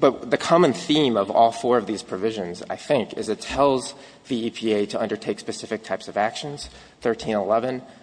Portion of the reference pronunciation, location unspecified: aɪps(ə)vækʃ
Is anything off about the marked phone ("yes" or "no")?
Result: yes